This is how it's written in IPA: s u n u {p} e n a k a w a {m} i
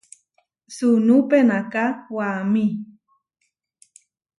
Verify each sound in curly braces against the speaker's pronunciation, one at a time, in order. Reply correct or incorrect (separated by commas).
correct, correct